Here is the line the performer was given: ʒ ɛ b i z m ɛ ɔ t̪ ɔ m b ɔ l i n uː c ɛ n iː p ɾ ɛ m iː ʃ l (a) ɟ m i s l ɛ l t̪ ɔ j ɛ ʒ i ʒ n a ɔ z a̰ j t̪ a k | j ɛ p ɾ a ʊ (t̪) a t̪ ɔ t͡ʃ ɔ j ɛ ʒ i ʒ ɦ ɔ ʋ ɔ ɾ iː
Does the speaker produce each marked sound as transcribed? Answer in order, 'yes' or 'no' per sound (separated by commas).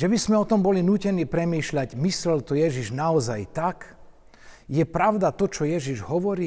yes, no